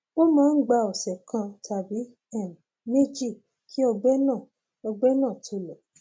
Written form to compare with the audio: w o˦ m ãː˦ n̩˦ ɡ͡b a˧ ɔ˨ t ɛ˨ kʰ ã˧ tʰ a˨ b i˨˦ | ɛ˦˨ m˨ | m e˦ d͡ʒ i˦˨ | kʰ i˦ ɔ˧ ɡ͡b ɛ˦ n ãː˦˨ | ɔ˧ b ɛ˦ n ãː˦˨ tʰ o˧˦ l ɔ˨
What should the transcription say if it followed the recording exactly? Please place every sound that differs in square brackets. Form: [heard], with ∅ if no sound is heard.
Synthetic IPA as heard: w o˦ m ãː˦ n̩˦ ɡ͡b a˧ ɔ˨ [s] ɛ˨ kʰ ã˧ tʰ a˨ b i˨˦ | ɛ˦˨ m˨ | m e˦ d͡ʒ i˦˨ | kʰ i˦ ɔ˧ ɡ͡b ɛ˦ n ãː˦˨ | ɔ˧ [ɡ͡b] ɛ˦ n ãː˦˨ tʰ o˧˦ l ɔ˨